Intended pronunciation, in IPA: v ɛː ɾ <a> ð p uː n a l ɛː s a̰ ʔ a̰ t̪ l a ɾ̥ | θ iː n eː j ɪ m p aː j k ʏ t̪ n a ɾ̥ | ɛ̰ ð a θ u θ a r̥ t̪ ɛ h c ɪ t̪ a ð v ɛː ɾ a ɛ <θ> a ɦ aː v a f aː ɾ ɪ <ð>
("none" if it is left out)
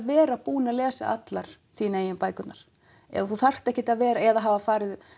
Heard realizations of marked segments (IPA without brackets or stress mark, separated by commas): a, ð, ð